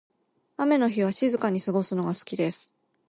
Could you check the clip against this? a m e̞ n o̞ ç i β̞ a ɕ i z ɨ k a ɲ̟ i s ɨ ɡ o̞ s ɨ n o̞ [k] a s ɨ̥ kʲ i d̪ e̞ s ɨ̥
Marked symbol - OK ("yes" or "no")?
no